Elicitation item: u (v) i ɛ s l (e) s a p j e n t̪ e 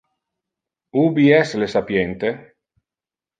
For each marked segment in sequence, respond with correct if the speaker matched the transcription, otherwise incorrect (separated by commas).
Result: incorrect, correct